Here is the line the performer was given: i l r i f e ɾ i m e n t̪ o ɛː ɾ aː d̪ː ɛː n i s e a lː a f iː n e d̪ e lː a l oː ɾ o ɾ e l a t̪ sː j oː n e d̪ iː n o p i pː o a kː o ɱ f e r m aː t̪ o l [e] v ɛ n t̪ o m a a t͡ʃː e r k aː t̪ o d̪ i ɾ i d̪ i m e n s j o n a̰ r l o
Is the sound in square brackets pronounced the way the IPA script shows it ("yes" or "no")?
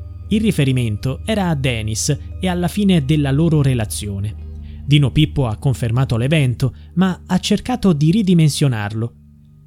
yes